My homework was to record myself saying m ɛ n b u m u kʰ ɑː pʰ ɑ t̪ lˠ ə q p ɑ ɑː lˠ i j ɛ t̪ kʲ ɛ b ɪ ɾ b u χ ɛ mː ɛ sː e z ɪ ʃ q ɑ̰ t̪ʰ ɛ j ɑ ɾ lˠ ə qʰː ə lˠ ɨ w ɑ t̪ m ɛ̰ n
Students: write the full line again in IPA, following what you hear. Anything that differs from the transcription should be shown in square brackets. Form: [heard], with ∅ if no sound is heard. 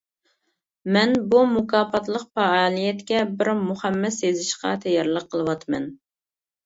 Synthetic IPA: m ɛ n b u m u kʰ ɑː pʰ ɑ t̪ lˠ ə q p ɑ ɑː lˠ i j ɛ t̪ kʲ ɛ b ɪ ɾ [m] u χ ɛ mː ɛ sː e z ɪ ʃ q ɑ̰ t̪ʰ ɛ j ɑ ɾ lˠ ə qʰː ə lˠ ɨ w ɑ t̪ m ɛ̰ n